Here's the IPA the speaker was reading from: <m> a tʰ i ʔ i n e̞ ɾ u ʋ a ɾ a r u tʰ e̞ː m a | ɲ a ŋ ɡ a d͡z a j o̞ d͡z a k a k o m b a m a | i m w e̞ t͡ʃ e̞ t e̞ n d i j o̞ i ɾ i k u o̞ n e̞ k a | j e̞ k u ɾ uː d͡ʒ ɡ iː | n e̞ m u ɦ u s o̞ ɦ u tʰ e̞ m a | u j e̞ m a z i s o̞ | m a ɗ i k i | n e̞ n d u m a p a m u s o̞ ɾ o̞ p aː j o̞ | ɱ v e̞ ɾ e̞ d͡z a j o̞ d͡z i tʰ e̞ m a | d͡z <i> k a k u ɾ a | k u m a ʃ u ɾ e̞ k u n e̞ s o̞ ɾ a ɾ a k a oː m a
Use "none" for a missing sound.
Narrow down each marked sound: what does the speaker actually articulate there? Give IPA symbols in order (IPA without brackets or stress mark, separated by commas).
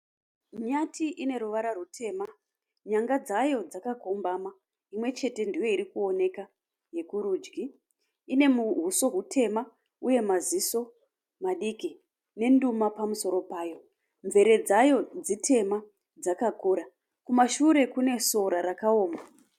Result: ɲ, a